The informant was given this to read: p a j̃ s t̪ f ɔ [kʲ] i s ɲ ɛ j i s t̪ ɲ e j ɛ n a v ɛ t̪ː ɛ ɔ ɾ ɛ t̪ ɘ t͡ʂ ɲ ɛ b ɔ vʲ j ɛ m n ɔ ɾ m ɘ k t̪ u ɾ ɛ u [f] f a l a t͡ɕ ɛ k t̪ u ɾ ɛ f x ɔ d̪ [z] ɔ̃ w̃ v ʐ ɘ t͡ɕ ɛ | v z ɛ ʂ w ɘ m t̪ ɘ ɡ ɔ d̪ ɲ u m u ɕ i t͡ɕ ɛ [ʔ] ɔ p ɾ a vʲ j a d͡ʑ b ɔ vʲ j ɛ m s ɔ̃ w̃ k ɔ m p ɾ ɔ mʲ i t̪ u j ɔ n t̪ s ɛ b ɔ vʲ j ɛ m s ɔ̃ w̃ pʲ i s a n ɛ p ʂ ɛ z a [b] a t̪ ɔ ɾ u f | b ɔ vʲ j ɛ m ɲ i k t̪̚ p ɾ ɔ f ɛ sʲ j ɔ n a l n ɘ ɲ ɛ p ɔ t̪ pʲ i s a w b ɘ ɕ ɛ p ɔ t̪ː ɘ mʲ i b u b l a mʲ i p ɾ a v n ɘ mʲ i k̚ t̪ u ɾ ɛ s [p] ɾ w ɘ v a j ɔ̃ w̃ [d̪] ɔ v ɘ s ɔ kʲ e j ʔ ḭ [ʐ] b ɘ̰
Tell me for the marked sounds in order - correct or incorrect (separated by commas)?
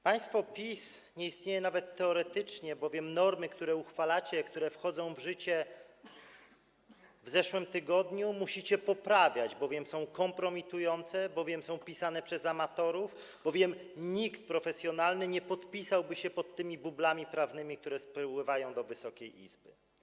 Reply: incorrect, incorrect, correct, incorrect, incorrect, correct, correct, incorrect